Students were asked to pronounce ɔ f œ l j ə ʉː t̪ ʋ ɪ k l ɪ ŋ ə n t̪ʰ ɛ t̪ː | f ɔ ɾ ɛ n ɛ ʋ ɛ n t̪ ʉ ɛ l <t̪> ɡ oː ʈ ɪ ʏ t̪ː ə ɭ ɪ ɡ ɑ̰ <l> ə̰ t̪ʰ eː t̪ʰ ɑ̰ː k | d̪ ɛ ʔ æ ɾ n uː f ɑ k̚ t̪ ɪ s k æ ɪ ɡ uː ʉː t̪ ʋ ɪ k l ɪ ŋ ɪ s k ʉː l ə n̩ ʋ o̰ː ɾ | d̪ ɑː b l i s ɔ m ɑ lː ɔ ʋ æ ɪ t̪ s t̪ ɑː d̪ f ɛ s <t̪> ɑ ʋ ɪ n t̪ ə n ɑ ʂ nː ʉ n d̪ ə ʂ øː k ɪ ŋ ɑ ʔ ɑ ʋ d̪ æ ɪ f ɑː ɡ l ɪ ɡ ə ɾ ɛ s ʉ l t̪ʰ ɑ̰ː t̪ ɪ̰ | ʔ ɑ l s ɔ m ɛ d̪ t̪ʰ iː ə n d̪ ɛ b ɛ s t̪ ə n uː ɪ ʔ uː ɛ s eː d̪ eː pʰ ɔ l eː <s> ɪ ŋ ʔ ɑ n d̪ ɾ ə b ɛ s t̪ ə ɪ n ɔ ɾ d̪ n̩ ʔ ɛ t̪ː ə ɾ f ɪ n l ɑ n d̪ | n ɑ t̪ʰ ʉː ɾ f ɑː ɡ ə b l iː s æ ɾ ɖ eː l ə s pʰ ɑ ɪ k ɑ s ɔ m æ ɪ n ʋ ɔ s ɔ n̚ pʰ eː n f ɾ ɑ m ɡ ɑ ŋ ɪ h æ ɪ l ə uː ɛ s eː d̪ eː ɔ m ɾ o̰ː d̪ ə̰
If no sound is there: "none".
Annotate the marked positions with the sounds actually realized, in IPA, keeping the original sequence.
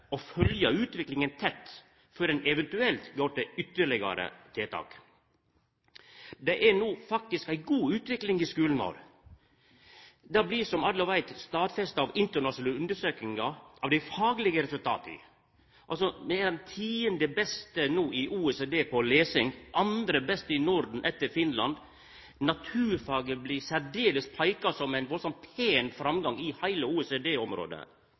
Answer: t̪, ɾ, t̪, s

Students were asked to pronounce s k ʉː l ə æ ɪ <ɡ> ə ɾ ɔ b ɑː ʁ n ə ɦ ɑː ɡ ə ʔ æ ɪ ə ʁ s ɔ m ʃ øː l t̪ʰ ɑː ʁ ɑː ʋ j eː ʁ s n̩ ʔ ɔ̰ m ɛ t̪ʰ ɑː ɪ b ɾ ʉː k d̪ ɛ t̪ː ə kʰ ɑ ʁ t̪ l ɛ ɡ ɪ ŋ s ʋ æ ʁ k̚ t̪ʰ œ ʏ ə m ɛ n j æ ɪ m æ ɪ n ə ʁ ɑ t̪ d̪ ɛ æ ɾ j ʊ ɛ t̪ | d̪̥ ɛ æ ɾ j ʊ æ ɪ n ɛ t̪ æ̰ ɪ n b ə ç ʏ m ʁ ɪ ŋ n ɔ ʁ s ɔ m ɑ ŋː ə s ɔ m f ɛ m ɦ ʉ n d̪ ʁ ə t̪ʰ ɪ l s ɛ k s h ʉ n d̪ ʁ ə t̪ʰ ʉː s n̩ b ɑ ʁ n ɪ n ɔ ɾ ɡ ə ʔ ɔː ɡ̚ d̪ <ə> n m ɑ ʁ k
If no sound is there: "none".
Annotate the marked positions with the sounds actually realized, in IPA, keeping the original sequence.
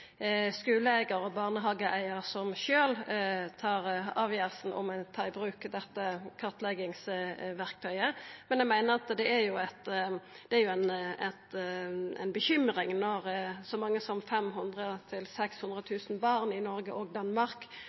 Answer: ɡ, ɑ

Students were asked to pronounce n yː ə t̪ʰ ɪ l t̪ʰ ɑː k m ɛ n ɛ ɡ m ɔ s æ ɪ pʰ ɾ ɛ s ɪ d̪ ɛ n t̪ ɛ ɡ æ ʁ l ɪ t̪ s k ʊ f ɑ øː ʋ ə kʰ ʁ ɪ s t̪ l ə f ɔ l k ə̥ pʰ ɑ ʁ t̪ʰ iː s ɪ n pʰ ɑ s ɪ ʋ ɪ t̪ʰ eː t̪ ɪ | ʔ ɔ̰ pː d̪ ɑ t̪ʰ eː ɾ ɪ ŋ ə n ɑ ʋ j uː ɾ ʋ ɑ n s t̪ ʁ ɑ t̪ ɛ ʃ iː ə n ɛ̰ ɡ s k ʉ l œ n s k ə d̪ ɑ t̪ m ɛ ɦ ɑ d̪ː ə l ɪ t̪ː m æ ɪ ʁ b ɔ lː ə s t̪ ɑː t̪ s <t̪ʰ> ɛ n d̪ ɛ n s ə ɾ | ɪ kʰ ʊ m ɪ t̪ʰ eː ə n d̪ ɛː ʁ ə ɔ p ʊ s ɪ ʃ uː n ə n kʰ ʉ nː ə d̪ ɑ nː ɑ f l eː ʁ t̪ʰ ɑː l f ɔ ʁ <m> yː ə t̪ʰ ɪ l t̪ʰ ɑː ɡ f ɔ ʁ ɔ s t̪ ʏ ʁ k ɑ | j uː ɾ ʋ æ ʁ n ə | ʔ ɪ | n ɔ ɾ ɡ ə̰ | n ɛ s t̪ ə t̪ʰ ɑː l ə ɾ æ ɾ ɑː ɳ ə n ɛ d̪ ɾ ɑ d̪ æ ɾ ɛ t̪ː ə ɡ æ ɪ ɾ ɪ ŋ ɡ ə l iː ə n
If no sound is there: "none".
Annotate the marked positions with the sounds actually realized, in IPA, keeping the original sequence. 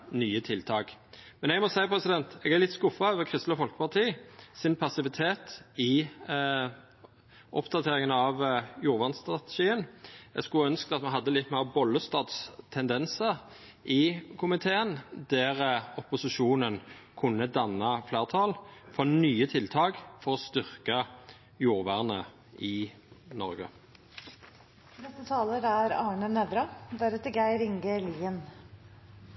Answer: t̪ʰ, n

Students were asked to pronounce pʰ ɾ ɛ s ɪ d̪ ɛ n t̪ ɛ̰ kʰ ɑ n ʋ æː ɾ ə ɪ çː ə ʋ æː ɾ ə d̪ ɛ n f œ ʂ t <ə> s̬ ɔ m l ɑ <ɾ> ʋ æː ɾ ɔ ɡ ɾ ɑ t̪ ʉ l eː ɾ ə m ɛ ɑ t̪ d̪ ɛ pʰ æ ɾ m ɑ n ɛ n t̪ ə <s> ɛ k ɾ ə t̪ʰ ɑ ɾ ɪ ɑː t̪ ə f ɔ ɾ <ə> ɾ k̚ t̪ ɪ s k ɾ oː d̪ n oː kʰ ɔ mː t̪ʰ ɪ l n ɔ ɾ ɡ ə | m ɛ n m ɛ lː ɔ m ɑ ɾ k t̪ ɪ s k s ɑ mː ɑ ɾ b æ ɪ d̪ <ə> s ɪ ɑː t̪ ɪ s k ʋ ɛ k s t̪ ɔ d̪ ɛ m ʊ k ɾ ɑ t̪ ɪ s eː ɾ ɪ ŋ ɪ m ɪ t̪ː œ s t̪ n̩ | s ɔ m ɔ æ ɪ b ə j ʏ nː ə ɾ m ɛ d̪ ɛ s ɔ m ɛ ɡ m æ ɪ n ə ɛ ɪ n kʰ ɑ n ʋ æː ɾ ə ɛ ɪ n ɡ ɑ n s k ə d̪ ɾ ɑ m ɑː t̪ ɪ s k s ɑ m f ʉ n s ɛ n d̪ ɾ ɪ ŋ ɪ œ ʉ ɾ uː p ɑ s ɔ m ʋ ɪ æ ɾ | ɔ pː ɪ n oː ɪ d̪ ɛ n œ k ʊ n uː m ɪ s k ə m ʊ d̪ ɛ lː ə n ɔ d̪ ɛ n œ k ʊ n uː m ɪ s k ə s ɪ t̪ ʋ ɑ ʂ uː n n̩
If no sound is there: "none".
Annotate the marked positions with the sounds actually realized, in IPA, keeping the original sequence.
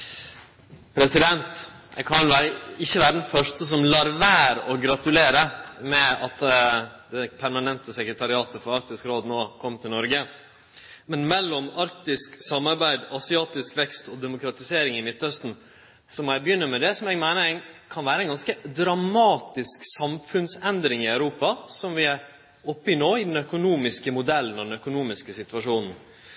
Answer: ə, ɾ, s, ɑ, ɑ

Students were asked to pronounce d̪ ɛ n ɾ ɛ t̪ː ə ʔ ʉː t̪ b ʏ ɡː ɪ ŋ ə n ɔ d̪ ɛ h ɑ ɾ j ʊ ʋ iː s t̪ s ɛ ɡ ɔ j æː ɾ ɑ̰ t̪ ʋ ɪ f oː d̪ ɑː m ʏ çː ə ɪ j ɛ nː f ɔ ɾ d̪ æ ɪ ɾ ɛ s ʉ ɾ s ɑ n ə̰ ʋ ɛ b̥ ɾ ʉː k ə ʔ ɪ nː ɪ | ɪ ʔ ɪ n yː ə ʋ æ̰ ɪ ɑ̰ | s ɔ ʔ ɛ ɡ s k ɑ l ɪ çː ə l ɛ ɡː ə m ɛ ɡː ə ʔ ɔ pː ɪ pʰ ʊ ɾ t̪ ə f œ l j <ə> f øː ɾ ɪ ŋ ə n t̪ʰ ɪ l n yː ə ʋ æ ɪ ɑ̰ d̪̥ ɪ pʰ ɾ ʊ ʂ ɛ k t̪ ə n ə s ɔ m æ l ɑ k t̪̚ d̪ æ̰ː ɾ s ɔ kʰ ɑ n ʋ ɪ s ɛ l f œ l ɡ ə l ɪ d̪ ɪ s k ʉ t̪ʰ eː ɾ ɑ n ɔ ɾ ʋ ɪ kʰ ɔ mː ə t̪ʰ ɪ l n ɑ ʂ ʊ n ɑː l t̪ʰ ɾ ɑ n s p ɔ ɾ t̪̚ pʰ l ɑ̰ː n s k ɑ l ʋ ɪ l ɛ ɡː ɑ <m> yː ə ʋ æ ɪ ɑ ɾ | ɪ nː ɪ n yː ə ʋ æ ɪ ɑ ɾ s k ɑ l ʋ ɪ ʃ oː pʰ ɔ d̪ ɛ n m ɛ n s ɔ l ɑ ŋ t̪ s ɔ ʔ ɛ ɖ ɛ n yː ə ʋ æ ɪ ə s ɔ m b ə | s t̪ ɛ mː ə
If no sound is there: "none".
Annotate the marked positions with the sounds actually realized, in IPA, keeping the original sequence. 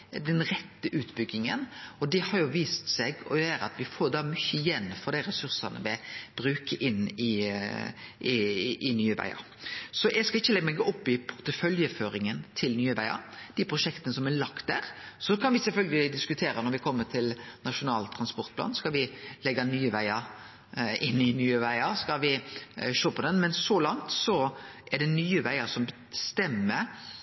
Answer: ə, n

